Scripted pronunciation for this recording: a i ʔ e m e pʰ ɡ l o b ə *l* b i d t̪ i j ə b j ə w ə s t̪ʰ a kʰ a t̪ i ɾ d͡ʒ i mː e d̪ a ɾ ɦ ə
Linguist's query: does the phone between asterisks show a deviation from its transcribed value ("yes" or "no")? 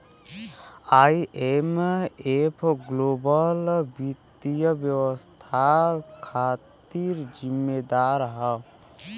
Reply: no